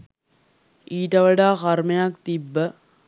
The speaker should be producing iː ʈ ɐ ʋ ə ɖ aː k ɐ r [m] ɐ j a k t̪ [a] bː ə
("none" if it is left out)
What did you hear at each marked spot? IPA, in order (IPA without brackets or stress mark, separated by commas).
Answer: m, i